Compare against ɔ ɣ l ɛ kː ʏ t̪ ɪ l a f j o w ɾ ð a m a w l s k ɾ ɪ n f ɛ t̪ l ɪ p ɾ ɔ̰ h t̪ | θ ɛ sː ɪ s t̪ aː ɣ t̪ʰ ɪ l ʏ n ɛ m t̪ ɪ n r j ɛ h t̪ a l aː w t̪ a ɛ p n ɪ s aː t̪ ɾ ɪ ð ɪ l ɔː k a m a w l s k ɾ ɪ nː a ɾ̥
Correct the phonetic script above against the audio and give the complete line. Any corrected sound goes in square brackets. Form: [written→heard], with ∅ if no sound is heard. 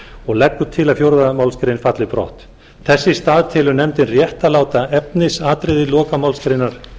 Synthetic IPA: ɔ ɣ l ɛ kː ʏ [t̪→t̪ʰ] ɪ l a f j o w ɾ ð a m a w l s k ɾ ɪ n f [ɛ→a] t̪ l ɪ p ɾ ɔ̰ h t̪ | θ ɛ sː ɪ s t̪ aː [ɣ→ð] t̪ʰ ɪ l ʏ n ɛ m t̪ ɪ n r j ɛ h t̪ a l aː w t̪ a ɛ p n ɪ s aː t̪ ɾ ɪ ð ɪ l ɔː k a m a w l s k ɾ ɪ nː a ɾ̥